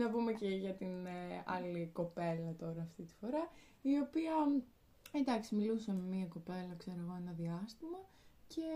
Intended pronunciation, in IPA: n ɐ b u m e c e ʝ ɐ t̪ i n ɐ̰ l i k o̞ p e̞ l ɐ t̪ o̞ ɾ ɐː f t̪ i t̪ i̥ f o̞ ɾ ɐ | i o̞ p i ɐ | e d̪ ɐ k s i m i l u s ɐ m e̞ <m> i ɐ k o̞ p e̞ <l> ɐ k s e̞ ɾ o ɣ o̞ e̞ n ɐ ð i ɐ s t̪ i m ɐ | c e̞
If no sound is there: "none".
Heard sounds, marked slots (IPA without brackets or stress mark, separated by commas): m, l